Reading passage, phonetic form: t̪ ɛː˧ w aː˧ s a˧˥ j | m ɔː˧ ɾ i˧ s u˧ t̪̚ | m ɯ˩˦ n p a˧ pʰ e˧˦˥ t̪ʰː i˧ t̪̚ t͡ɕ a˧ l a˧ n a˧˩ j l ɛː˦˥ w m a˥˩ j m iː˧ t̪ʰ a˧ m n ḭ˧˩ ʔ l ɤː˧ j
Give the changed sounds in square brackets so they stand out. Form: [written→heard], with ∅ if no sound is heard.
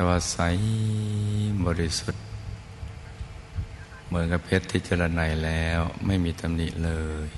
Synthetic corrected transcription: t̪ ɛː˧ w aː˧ s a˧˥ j | [m→b] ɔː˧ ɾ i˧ s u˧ t̪̚ | m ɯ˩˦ n [p→k] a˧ pʰ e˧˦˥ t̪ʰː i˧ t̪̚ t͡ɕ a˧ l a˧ n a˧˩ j l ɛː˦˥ w m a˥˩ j m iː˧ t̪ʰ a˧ m n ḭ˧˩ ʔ l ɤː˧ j